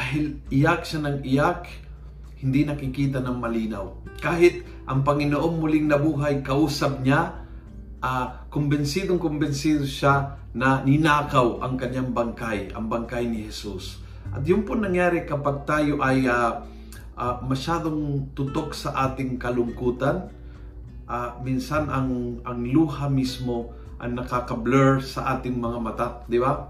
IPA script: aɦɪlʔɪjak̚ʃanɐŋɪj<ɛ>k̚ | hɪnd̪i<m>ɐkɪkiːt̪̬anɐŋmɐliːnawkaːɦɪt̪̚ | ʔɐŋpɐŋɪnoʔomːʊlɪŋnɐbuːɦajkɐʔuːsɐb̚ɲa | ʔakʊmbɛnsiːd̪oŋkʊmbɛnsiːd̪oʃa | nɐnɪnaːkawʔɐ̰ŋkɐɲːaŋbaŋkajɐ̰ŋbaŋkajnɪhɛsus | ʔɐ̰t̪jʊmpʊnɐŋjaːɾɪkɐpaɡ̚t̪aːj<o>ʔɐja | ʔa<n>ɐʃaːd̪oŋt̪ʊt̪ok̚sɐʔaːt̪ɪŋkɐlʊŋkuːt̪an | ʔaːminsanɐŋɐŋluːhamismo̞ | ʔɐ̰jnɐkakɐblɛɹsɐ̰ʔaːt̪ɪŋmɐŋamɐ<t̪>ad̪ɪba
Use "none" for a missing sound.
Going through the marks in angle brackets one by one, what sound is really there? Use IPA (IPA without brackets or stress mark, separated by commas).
a, n, o, m, t̪